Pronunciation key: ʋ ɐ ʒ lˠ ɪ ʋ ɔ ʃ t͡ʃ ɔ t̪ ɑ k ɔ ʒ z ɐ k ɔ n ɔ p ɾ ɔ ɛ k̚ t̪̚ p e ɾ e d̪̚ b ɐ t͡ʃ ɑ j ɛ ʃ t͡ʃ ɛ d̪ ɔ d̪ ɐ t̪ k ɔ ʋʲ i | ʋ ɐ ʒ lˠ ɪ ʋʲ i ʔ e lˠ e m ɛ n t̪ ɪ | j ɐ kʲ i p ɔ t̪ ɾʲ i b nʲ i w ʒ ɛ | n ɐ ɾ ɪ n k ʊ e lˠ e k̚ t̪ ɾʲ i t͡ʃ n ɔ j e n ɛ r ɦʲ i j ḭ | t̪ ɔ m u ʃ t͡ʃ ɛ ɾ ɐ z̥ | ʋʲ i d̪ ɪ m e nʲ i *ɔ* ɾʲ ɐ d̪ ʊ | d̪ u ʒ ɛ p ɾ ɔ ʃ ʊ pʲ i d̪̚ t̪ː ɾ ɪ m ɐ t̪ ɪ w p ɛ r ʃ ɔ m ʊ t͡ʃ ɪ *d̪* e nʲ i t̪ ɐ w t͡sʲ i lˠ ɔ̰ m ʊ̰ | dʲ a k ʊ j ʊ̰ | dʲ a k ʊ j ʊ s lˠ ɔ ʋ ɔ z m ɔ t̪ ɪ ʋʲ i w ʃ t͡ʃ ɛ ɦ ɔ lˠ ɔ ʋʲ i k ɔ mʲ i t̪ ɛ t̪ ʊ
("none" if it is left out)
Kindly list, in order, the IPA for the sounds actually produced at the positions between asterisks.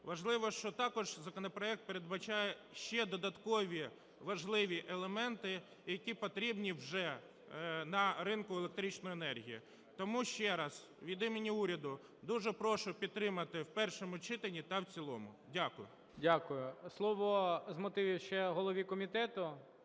u, t̪

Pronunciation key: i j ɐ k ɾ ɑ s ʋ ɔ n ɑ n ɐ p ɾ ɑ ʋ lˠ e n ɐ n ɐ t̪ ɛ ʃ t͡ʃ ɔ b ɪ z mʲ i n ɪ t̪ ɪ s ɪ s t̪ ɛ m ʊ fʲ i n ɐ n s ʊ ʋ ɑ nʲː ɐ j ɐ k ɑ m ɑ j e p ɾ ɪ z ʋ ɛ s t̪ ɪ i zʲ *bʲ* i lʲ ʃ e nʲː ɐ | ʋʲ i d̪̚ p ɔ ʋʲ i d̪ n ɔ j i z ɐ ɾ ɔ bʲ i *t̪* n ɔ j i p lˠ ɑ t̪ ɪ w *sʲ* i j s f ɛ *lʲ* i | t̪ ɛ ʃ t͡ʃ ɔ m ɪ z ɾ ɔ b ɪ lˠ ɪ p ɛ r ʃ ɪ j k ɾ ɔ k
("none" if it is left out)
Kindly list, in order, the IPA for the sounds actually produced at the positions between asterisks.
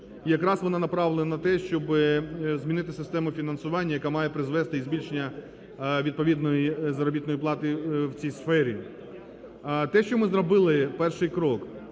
bʲ, t̪, t͡sʲ, ɾʲ

